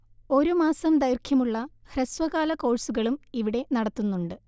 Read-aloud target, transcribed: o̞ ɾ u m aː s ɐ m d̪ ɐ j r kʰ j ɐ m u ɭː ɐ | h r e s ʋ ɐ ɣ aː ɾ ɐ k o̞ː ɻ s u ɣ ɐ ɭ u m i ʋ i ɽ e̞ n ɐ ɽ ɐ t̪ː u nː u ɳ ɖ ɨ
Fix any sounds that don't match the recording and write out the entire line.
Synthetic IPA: o̞ ɾ u m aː s ɐ m d̪ ɐ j r kʰ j ɐ m u ɭː ɐ | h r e s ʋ ɐ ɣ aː l ɐ k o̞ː ɻ s u ɣ ɐ ɭ u m i ʋ i ɽ e̞ n ɐ ɽ ɐ t̪ː u nː u ɳ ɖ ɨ